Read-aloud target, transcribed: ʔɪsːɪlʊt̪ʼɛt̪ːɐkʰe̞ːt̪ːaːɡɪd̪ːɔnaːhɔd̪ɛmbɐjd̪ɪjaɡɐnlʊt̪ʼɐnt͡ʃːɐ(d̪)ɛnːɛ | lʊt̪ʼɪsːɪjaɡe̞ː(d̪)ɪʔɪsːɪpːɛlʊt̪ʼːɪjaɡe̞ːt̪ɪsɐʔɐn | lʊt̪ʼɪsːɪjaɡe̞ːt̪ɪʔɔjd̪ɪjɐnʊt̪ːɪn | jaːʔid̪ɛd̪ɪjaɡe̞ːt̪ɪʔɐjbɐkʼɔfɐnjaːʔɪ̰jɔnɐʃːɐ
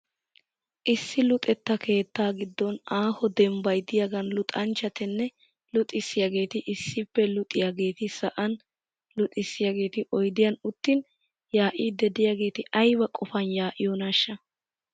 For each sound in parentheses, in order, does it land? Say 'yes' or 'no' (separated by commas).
no, no